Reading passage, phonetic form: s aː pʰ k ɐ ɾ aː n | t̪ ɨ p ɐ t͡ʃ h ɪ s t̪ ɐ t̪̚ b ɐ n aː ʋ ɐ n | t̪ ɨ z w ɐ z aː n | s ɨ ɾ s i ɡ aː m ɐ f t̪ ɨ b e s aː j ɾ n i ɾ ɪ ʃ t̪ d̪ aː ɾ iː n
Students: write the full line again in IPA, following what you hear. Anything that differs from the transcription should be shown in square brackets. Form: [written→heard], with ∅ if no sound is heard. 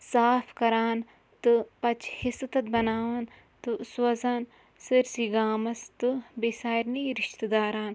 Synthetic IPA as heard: s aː pʰ k ɐ ɾ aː n | t̪ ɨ p ɐ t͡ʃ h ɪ s t̪ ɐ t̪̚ b ɐ n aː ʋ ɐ n | t̪ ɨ [z→s] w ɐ z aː n | s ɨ ɾ s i ɡ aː m ɐ [f→s] t̪ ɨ b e s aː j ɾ n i ɾ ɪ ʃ t̪ d̪ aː ɾ [iː→aː] n